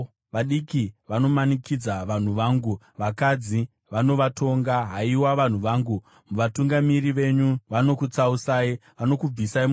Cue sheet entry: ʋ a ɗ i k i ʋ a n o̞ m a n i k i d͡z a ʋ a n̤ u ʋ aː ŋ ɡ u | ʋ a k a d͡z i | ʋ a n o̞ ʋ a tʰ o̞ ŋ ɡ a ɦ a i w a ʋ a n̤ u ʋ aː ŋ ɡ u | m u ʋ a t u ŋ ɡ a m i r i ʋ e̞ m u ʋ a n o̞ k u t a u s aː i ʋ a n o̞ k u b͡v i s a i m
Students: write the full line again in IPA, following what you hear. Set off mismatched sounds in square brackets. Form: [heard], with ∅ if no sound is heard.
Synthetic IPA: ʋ a ɗ i k i ʋ a n o̞ m a n i k i d͡z a ʋ a n̤ u ʋ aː ŋ ɡ u | ʋ a k a d͡z i | ʋ a n o̞ ʋ a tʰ o̞ ŋ ɡ a ɦ a i w a ʋ a n̤ u ʋ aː ŋ ɡ u | m u ʋ a t u ŋ ɡ a m i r i ʋ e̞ [ɲ] u ʋ a n o̞ k u [t͡s] a u s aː i ʋ a n o̞ k u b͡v i s a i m